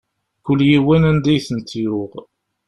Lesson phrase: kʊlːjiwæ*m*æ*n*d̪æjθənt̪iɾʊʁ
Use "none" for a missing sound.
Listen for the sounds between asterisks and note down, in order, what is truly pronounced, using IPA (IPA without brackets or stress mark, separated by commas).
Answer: n, n